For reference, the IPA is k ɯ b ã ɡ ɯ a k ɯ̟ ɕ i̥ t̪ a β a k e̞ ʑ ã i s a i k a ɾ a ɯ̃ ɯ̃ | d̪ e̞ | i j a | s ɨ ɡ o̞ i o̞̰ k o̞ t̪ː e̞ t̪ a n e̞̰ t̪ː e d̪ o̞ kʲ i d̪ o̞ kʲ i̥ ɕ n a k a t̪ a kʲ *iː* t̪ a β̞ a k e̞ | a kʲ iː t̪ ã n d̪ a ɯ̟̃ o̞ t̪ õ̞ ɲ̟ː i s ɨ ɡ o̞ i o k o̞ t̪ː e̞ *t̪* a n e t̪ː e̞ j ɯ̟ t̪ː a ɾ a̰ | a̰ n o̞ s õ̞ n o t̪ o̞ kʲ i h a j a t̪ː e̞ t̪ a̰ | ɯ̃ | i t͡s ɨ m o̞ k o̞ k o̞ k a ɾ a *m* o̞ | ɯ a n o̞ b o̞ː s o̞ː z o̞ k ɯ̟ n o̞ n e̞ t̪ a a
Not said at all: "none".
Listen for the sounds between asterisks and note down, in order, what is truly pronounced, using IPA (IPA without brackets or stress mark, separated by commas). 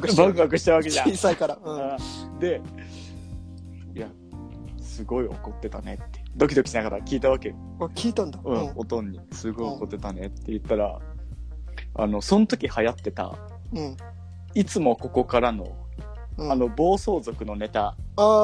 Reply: iː, t̪, n